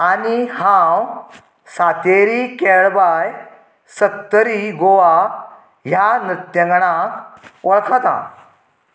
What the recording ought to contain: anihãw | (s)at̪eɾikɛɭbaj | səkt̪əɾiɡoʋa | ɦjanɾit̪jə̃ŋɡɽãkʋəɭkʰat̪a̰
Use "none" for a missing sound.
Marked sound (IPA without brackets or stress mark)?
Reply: s